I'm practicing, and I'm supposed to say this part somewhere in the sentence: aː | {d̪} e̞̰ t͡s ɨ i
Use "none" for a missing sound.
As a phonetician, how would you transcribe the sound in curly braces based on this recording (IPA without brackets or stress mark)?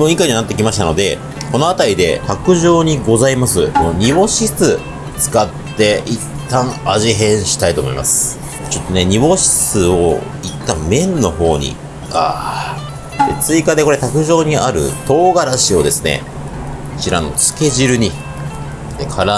d̪